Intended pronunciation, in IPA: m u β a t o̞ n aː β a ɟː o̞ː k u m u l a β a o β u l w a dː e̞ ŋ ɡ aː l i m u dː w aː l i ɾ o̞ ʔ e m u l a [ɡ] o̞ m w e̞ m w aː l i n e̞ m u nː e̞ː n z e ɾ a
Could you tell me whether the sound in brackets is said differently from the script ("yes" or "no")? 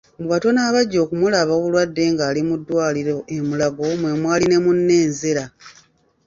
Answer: no